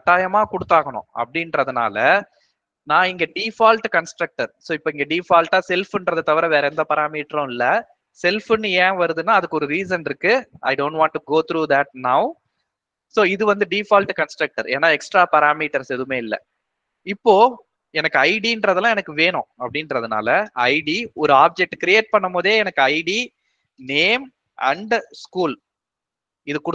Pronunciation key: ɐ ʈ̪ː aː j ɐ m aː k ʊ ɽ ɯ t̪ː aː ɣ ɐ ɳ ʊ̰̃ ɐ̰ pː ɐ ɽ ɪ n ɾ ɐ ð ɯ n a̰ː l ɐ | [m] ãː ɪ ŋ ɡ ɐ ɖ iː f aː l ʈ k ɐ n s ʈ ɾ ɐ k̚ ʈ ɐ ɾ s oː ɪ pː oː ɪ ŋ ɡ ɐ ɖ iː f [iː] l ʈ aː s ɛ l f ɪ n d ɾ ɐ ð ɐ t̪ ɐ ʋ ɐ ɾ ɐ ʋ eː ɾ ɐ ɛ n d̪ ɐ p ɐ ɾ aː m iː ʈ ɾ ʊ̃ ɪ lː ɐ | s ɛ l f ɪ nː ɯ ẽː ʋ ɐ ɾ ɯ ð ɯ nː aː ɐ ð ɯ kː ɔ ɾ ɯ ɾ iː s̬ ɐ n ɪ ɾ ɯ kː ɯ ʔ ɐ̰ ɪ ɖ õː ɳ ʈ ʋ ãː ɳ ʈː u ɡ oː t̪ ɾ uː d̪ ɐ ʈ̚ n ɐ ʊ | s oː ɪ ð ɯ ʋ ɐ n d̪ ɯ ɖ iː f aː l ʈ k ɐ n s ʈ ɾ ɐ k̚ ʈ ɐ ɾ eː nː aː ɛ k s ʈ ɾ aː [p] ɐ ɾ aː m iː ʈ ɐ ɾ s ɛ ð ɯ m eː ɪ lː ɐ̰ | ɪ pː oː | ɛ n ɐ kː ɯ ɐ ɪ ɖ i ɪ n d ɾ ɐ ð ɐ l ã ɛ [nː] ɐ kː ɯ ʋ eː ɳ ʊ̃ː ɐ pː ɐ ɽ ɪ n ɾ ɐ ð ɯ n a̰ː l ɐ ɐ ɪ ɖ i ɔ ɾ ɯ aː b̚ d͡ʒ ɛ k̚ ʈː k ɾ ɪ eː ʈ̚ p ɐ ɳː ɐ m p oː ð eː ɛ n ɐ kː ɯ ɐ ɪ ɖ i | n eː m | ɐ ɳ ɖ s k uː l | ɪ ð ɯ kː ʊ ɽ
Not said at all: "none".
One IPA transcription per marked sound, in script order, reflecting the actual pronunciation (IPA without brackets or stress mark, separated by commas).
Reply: n, aː, p, n